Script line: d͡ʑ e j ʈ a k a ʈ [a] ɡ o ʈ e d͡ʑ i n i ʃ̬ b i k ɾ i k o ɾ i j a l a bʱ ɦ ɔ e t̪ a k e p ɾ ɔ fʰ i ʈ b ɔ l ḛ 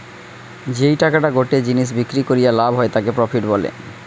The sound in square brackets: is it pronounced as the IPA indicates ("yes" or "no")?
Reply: yes